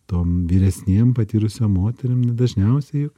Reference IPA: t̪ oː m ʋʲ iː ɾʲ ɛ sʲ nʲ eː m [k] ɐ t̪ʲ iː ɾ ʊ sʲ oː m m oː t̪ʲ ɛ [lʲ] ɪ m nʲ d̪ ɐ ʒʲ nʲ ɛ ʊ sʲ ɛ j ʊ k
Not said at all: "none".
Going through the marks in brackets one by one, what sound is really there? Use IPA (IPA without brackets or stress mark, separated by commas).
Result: p, ɾʲ